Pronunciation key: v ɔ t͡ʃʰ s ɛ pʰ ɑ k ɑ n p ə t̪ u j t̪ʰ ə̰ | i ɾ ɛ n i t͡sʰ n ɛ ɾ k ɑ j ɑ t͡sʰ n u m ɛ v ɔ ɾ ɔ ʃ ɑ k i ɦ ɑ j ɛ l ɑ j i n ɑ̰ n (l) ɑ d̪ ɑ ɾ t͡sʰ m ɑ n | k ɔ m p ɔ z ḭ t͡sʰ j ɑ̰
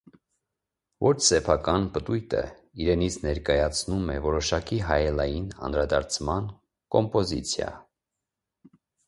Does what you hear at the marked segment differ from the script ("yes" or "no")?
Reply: yes